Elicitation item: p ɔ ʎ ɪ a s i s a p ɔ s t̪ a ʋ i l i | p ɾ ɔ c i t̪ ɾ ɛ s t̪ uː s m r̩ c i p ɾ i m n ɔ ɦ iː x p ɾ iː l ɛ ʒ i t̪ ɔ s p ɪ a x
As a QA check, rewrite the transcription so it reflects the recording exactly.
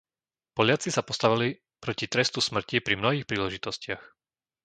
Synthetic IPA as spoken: p ɔ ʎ ɪ a t͡s i s a p ɔ s t̪ a ʋ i l i | p ɾ ɔ c i t̪ ɾ ɛ s t̪ u s m r̩ c i p ɾ i m n ɔ ɦ iː x p ɾ iː l ɛ ʒ i t̪ ɔ s c ɪ a x